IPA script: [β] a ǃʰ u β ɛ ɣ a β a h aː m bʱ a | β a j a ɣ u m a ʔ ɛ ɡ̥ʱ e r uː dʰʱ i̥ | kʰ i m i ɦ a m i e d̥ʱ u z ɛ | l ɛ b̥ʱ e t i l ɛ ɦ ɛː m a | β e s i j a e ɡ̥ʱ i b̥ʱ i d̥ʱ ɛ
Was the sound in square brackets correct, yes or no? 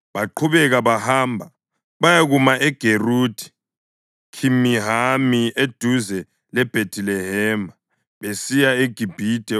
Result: yes